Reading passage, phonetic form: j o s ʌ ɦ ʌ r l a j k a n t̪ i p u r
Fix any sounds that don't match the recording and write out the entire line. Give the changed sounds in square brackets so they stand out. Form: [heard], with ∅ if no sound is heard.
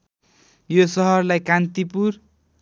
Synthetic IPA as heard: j o s ʌ ɦ ʌ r l a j k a n t̪ i p u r